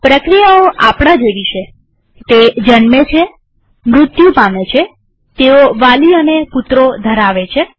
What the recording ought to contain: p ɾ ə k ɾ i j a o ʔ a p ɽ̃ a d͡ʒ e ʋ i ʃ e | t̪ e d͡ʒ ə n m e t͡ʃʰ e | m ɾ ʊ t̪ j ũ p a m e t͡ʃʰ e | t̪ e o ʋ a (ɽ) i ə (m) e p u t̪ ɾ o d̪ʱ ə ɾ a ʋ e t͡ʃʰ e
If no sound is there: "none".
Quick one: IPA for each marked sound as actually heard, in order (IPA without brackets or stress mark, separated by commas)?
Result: l, n